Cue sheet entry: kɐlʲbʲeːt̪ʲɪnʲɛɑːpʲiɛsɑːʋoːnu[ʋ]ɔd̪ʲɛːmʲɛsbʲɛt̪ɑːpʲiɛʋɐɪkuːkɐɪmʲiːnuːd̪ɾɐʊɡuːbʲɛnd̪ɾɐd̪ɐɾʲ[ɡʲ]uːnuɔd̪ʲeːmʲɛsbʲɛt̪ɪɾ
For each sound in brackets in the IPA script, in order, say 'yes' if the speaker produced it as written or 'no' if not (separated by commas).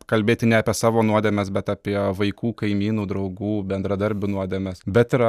no, no